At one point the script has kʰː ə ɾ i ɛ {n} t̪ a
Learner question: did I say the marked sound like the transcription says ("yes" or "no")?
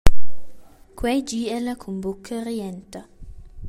yes